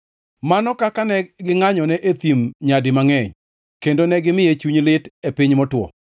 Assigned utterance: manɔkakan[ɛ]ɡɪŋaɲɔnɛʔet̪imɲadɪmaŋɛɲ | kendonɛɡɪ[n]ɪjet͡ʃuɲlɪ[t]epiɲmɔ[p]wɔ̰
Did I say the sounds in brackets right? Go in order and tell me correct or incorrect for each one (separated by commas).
correct, incorrect, correct, incorrect